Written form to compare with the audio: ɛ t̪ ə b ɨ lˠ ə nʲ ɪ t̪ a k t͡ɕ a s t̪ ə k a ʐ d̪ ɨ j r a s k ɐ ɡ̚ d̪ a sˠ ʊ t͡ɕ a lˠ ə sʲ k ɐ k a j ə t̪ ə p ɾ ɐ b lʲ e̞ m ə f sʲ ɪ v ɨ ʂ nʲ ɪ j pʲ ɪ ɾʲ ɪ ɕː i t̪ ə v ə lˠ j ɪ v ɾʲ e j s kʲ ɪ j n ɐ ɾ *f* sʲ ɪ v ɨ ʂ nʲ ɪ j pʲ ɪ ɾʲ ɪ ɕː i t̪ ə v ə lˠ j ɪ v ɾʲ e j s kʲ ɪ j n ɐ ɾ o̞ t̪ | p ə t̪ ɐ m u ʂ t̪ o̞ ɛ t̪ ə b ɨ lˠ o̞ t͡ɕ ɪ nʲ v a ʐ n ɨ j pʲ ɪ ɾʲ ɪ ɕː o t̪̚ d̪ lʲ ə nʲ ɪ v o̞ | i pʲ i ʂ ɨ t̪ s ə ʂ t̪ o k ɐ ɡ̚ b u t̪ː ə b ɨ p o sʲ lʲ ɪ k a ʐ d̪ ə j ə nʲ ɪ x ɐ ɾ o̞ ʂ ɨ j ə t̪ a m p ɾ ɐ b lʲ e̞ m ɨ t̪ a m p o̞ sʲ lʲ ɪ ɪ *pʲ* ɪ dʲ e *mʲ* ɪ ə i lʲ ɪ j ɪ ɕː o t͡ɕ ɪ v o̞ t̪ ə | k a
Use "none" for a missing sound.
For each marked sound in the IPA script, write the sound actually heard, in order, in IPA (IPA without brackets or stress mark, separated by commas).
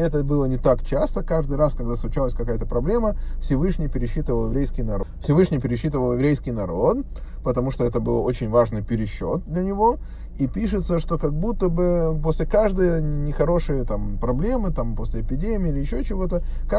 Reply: f, pʲ, mʲ